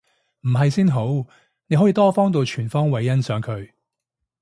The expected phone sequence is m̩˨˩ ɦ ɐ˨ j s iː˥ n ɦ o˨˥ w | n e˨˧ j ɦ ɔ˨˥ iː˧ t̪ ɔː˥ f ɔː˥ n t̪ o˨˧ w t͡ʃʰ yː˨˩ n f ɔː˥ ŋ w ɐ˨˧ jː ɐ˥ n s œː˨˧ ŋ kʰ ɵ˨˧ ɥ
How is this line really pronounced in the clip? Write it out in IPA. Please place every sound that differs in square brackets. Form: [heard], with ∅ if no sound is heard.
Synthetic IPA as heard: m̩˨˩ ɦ ɐ˨ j s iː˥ n ɦ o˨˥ w | n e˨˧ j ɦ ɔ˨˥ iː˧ t̪ ɔː˥ f ɔː˥ [ŋ] t̪ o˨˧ w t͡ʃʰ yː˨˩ n f ɔː˥ ŋ w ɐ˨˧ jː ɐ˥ n s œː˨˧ ŋ kʰ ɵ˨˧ ɥ